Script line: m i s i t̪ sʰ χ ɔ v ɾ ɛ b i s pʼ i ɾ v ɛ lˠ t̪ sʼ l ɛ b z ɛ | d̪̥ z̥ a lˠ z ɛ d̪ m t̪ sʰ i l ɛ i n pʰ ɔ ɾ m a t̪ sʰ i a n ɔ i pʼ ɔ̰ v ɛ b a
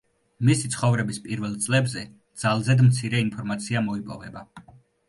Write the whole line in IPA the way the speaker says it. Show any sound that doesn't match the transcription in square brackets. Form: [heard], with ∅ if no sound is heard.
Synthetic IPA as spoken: m i s i t̪ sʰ χ ɔ v ɾ ɛ b i s pʼ i ɾ v ɛ lˠ t̪ sʼ l ɛ b z ɛ | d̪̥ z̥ a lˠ z ɛ d̪ m t̪ sʰ i [ɾ] ɛ i n pʰ ɔ ɾ m a t̪ sʰ i a [m] ɔ i pʼ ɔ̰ v ɛ b a